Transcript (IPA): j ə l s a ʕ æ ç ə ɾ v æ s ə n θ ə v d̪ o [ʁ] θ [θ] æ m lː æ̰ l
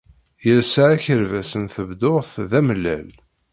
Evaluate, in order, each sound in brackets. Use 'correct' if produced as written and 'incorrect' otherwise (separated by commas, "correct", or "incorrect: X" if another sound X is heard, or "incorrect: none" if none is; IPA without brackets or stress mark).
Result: correct, incorrect: ð